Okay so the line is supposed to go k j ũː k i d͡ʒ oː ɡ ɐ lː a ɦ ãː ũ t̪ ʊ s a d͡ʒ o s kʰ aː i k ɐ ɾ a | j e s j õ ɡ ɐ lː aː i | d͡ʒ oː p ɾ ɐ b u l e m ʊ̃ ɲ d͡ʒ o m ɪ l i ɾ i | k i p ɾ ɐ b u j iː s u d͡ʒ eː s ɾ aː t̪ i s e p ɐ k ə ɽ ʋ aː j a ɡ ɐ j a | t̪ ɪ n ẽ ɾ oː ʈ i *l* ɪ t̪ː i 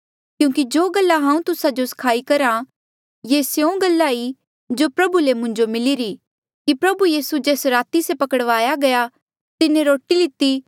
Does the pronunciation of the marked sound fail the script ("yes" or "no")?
no